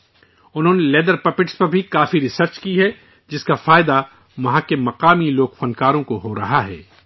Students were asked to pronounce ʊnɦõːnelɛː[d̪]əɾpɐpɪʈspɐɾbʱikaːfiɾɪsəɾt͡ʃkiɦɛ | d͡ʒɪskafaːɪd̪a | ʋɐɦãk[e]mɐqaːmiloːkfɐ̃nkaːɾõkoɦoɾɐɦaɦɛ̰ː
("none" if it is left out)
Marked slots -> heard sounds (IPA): d̪, e

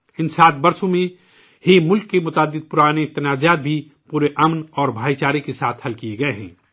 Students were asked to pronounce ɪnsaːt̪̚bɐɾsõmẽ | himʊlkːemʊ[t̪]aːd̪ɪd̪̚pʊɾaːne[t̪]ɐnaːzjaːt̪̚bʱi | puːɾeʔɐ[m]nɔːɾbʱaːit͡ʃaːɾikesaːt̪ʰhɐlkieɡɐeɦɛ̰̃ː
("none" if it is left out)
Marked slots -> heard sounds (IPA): t̪, t̪, m

